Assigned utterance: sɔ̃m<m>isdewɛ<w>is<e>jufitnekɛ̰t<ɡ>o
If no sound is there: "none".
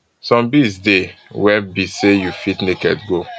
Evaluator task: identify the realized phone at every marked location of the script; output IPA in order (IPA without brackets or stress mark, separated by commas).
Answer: b, b, e, ɡ